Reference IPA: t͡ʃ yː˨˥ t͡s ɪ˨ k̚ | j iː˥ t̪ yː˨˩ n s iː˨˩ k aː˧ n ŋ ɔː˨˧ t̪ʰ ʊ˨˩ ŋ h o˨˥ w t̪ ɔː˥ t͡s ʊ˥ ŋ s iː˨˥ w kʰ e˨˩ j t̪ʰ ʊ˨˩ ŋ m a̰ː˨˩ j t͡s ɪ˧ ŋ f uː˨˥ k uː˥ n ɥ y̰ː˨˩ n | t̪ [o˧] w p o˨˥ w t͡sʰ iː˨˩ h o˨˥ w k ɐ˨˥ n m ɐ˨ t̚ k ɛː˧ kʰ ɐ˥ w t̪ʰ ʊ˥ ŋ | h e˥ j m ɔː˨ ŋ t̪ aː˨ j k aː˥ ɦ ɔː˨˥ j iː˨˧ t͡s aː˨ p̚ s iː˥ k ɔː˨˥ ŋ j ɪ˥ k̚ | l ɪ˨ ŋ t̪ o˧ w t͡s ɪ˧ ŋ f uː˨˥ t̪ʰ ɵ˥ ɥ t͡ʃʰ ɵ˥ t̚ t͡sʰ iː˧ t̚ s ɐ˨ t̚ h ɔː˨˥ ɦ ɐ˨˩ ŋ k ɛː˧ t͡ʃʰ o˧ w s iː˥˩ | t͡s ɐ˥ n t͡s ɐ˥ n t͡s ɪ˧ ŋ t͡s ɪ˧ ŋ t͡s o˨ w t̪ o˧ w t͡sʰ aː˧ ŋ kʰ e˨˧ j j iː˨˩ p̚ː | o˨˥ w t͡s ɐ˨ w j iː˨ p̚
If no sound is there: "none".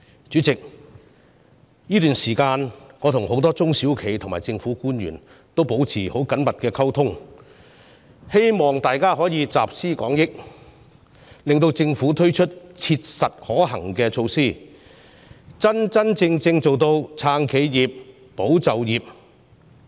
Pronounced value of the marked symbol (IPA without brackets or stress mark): o˥